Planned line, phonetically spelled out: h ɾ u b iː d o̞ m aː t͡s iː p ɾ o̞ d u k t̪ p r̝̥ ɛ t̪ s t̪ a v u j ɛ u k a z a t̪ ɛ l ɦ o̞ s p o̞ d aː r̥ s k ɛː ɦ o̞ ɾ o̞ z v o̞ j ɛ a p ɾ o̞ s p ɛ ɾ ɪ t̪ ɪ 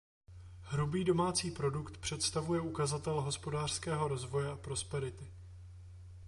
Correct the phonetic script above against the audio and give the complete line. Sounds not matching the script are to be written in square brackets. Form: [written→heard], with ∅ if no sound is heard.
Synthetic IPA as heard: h ɾ u b iː d o̞ m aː t͡s iː p ɾ o̞ d u k t̪ p r̝̥ ɛ t̪ s t̪ a v u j ɛ u k a z a t̪ ɛ l ɦ o̞ s p o̞ d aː r̥ s k ɛː ɦ o̞ ɾ o̞ z v o̞ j ɛ a p ɾ o̞ s p ɛ ɾ ɪ t̪ ɪ